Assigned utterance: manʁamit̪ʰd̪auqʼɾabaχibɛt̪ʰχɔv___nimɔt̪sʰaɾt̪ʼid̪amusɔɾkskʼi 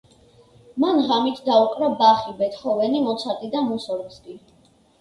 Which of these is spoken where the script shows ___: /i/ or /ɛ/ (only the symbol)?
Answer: ɛ